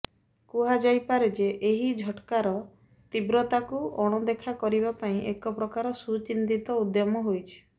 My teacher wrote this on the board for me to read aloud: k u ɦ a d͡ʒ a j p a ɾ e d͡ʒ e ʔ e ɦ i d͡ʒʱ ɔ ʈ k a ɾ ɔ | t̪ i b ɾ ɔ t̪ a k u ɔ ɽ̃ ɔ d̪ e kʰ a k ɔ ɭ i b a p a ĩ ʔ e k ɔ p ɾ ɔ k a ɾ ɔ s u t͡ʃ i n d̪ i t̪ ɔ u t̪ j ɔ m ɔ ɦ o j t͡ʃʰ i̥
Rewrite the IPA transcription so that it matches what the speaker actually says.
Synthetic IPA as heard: k u ɦ a d͡ʒ a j p a ɾ e d͡ʒ e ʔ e ɦ i d͡ʒʱ ɔ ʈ k a ɾ ɔ | t̪ i b ɾ ɔ t̪ a k u ɔ ɽ̃ ɔ d̪ e kʰ a k ɔ ɾ i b a p a ĩ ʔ e k ɔ p ɾ ɔ k a ɾ ɔ s u t͡ʃ i n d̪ i t̪ ɔ u d̪ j ɔ m ɔ ɦ o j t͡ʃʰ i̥